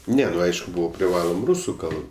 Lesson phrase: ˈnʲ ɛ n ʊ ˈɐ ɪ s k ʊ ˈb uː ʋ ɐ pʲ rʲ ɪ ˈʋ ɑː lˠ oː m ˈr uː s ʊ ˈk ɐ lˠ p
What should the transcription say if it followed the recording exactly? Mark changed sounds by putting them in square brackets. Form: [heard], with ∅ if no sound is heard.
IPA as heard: ˈnʲ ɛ n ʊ ˈɐ ɪ [ʃ] k ʊ ˈb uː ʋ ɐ pʲ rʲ ɪ ˈʋ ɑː lˠ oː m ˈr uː s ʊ ˈk ɐ lˠ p